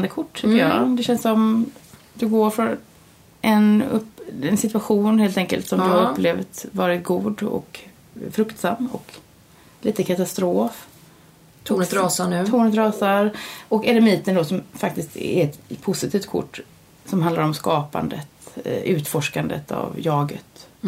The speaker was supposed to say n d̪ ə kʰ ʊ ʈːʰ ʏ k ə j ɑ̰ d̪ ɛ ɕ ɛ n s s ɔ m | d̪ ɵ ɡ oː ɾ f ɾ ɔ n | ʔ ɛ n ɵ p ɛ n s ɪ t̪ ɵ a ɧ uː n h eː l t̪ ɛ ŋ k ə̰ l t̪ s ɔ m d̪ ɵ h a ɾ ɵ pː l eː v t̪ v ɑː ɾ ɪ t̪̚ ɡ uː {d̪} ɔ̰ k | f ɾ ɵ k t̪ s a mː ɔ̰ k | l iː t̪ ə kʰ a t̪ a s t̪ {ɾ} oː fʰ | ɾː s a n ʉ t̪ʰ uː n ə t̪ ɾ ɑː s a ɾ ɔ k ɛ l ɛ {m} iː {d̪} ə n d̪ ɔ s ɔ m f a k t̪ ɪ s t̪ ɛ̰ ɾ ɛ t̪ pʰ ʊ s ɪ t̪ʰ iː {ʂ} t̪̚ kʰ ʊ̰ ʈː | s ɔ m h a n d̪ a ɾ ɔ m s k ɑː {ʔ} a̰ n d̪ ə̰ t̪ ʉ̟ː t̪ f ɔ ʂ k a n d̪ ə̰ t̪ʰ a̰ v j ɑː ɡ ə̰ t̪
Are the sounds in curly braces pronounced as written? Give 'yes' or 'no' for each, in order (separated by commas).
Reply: yes, yes, yes, no, no, no